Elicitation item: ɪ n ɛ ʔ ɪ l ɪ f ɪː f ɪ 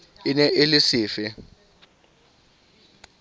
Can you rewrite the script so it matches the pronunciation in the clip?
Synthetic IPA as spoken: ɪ n ɛ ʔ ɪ l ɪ s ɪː f ɪ